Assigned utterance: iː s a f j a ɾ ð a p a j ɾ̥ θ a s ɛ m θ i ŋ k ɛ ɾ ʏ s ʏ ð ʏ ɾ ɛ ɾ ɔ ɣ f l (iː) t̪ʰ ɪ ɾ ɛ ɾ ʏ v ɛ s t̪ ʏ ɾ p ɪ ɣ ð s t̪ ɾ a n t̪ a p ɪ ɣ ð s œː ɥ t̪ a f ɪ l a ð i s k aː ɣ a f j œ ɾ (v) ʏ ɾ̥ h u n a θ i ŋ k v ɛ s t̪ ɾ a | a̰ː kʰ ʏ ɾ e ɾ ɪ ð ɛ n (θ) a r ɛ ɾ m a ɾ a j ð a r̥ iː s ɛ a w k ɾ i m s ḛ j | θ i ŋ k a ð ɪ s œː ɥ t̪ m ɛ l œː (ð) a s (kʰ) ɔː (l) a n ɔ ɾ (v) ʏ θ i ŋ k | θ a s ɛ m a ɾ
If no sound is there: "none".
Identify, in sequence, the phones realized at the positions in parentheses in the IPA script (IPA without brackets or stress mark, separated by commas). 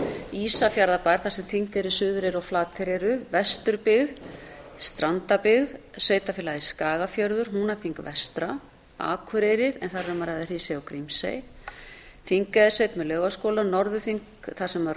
aː, ð, θ, ɣ, k, l, ð